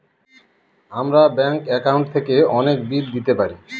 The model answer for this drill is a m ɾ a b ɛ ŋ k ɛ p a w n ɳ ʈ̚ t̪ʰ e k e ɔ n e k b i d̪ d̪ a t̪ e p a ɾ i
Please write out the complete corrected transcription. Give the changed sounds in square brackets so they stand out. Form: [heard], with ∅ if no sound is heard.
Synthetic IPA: a m ɾ a b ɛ ŋ k ɛ [k] a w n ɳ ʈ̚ t̪ʰ e k e ɔ n e k b i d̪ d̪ [i] t̪ e p a ɾ i